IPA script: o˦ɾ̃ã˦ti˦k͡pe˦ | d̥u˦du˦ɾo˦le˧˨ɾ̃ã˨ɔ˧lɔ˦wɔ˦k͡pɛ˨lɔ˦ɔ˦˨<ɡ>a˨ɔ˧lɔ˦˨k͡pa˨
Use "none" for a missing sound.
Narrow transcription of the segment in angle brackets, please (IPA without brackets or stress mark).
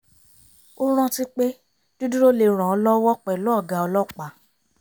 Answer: ɡ